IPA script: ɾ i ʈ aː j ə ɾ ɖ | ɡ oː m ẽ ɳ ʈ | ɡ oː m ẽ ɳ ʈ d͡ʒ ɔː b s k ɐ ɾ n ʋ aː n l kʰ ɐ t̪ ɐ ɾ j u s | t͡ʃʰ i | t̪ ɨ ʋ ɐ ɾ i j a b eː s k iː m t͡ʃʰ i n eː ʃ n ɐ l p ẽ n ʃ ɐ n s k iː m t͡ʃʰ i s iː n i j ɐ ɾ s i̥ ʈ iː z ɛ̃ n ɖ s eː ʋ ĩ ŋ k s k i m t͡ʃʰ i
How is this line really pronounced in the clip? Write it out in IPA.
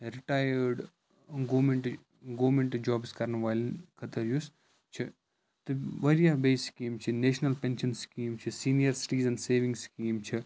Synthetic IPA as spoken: ɾ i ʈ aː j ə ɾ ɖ | ɡ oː m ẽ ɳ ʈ | ɡ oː m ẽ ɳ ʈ d͡ʒ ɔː b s k ɐ ɾ n ʋ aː l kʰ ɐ t̪ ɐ ɾ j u s | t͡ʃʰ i | t̪ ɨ ʋ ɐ ɾ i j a b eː s k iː m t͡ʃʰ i n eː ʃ n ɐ l p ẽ n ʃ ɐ n s k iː m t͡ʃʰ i s iː n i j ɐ ɾ s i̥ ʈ iː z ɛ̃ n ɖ s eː ʋ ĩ ŋ ɡ s k iː m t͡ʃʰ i